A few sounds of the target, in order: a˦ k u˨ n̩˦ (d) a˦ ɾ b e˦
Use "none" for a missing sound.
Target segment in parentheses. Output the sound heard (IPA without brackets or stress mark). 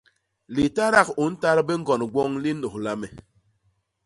t